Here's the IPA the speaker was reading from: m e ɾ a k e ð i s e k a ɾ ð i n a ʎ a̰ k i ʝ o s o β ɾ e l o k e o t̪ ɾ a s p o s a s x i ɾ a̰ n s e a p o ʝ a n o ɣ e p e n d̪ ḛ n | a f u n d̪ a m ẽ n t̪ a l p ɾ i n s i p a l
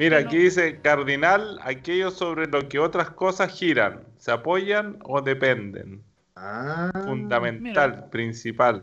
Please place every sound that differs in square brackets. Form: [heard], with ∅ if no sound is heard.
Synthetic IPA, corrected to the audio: m [i] ɾ a k e ð i s e k a ɾ ð i n a [l] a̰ k [e] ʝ o s o β ɾ e l o k e o t̪ ɾ a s [k] o s a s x i ɾ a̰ n s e a p o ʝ a n o [ð] e p e n d̪ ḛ n | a f u n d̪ a m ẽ n t̪ a l p ɾ i n s i p a l